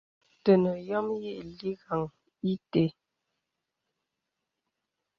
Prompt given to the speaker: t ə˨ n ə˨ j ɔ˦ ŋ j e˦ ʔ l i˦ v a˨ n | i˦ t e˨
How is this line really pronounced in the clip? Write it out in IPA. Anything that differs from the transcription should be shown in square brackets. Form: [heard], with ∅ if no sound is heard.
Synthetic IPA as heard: t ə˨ n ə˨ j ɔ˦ [m] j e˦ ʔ l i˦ [ɣ] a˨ [ŋ] | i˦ t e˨